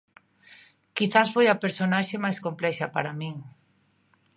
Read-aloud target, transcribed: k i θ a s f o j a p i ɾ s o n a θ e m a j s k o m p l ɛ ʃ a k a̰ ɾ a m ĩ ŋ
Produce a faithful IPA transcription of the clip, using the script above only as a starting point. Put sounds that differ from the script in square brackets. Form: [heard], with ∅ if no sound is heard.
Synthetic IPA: k i θ a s f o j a p [e] ɾ s o n a [ʃ] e m a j s k o m p l ɛ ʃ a [p] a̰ ɾ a m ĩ ŋ